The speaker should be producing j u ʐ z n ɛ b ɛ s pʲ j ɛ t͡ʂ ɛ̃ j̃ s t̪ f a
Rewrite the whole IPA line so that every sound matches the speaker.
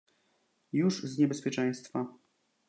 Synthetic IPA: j u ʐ z ɲ ɛ b ɛ s pʲ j ɛ t͡ʂ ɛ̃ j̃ s t̪ f a

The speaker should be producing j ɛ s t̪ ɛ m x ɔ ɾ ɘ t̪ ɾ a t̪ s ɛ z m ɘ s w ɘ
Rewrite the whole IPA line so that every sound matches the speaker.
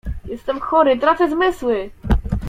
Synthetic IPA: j ɛ s t̪ ɛ m x ɔ ɾ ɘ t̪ ɾ a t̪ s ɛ z m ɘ s w ɘ

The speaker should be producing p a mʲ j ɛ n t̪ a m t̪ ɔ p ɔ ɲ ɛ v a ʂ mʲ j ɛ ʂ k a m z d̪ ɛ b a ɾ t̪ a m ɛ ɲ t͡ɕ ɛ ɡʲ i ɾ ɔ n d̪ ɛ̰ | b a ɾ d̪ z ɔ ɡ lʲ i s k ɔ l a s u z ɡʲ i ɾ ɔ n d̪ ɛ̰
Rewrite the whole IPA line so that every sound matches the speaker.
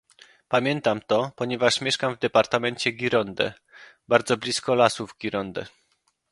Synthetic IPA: p a mʲ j ɛ n t̪ a m t̪ ɔ p ɔ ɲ ɛ v a ʂ mʲ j ɛ ʂ k a m v d̪ ɛ p a ɾ t̪ a m ɛ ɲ t͡ɕ ɛ ɡʲ i ɾ ɔ n d̪ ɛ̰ | b a ɾ d̪ z ɔ b lʲ i s k ɔ l a s u v ɡʲ i ɾ ɔ n d̪ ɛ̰

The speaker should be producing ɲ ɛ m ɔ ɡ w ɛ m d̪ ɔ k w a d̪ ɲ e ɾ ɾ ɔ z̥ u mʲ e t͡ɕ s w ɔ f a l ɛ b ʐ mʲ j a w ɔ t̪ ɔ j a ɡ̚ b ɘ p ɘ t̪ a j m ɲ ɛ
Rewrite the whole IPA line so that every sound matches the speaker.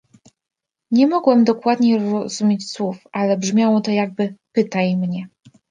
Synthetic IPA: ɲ ɛ m ɔ ɡ w ɛ m d̪ ɔ k w a d̪ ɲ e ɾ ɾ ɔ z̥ u mʲ e t͡ɕ s w u f a l ɛ b ʐ mʲ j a w ɔ t̪ ɔ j a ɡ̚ b ɘ p ɘ t̪ a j m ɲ ɛ

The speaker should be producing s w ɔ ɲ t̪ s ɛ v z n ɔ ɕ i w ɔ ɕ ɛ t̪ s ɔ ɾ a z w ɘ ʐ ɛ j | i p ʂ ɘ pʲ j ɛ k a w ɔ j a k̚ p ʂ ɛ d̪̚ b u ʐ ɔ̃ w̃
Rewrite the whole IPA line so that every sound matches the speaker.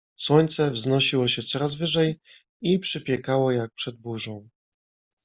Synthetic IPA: s w ɔ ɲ t̪ s ɛ v z n ɔ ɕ i w ɔ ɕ ɛ t̪ s ɔ ɾ a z v ɘ ʐ ɛ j | i p ʂ ɘ pʲ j ɛ k a w ɔ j a k̚ p ʂ ɛ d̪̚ b u ʐ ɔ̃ w̃

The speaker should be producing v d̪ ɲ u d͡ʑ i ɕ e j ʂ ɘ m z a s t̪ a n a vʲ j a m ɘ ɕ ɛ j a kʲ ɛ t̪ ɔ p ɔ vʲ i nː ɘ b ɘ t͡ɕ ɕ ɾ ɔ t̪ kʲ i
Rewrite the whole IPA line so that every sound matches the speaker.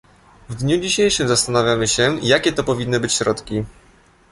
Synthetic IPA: v d̪ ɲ u d͡ʑ i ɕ e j ʂ ɘ m z a s t̪ a n a vʲ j a m ɘ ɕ ɛ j a kʲ ɛ t̪ ɔ p ɔ vʲ i nː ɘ b ɘ t͡ɕ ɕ ɾ ɔ t̪ kʲ i

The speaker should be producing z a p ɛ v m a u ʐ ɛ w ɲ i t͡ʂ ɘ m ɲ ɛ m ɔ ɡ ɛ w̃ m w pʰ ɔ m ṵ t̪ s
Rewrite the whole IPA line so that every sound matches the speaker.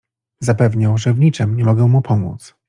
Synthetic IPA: z a p ɛ v ɲ a w ʐ ɛ v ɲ i t͡ʂ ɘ m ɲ ɛ m ɔ ɡ ɛ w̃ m u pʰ ɔ m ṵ t̪ s

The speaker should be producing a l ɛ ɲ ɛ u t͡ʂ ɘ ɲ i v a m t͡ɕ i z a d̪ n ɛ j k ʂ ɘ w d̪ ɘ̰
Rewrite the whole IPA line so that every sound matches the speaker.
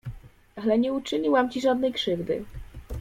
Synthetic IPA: a l ɛ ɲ ɛ u t͡ʂ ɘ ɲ i w a m t͡ɕ i ʐ a d̪ n ɛ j k ʂ ɘ v d̪ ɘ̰

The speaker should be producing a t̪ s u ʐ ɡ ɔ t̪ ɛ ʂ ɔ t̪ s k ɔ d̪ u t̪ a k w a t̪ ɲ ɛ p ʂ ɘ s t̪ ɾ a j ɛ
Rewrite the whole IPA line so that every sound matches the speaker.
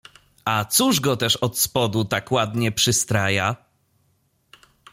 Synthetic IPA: a t̪ s u ʐ ɡ ɔ t̪ ɛ ʂ ɔ t̪ s p ɔ d̪ u t̪ a k w a d̪ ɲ ɛ p ʂ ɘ s t̪ ɾ a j a

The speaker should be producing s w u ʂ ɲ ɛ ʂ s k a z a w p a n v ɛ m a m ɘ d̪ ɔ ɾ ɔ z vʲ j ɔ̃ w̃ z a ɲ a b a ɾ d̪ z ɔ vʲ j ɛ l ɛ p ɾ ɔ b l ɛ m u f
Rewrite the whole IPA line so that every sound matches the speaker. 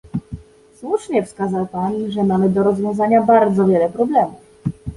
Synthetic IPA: s w u ʂ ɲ ɛ f s k a z a w p a n ʐ ɛ m a m ɘ d̪ ɔ ɾ ɔ z vʲ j ɔ̃ w̃ z a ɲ a b a ɾ d̪ z ɔ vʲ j ɛ l ɛ p ɾ ɔ b l ɛ m u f

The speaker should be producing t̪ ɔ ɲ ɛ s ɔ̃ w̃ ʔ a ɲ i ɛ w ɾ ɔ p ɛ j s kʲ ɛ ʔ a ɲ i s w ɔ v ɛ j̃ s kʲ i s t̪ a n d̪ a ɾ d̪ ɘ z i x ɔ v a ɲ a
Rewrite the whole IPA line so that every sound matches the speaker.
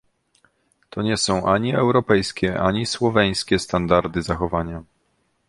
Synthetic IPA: t̪ ɔ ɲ ɛ s ɔ̃ w̃ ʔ a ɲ i ɛ w ɾ ɔ p ɛ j s kʲ ɛ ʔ a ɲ i s w ɔ v ɛ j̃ s kʲ ɛ s t̪ a n d̪ a ɾ d̪ ɘ z a x ɔ v a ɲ a

